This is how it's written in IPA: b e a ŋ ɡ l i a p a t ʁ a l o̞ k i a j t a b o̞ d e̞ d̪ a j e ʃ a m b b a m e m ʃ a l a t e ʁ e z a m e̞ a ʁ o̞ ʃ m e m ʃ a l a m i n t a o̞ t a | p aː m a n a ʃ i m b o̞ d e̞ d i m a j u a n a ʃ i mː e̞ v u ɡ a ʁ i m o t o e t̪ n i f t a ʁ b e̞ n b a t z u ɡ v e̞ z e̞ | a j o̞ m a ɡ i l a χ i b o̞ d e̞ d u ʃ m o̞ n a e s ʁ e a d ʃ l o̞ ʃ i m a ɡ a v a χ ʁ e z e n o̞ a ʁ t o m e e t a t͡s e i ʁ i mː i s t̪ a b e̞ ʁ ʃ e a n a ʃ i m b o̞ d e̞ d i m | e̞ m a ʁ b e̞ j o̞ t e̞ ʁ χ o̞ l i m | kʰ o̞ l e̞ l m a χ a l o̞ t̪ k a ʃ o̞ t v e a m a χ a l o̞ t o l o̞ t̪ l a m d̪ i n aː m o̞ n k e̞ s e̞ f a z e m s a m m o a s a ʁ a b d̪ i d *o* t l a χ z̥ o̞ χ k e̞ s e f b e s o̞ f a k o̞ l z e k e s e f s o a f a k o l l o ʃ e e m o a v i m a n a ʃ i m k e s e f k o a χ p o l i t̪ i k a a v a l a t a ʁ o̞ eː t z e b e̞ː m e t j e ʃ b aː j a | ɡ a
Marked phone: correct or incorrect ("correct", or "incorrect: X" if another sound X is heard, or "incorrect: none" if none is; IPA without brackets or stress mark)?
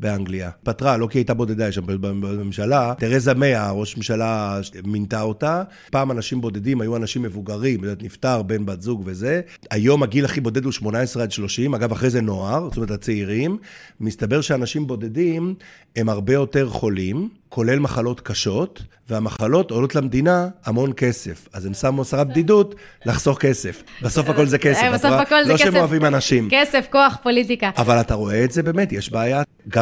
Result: incorrect: u